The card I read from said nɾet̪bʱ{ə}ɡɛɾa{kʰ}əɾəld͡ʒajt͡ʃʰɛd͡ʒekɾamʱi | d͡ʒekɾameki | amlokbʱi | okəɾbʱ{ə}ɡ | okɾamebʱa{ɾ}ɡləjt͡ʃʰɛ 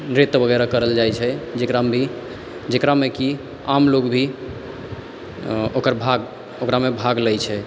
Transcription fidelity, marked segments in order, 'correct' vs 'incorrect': correct, incorrect: k, incorrect: a, incorrect: none

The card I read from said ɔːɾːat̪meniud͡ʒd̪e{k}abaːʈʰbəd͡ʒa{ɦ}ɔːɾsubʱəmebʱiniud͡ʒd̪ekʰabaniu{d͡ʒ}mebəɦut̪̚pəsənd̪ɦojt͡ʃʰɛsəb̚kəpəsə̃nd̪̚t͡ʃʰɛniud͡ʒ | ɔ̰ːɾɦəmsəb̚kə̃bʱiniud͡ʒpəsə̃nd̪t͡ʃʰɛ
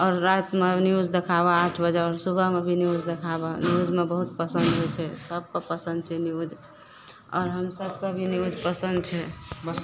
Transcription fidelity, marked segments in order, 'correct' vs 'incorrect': incorrect: kʰ, incorrect: none, correct

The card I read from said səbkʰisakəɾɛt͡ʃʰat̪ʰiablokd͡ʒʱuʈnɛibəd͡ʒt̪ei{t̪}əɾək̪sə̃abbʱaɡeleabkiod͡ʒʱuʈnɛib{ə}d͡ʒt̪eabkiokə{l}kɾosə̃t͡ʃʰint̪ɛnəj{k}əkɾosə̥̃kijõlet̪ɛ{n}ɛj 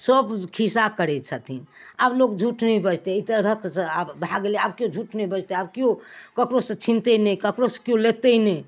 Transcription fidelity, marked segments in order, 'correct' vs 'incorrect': correct, correct, incorrect: none, correct, correct

